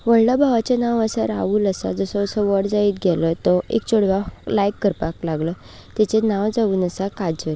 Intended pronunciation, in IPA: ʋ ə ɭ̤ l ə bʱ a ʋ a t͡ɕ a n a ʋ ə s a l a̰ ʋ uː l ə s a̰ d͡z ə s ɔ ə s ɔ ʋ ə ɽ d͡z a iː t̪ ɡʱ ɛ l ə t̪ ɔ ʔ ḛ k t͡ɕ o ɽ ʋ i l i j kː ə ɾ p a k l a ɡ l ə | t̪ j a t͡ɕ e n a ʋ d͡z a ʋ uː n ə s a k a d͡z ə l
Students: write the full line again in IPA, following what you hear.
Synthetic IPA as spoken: ʋ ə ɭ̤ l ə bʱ a ʋ a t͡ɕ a n a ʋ ə s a ɾ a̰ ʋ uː l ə s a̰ d͡z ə s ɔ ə s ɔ ʋ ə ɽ d͡z a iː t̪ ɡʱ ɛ l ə t̪ ɔ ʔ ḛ k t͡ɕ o ɽ ʋ a l a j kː ə ɾ p a k l a ɡ l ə | t̪ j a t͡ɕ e n a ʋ d͡z a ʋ uː n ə s a k a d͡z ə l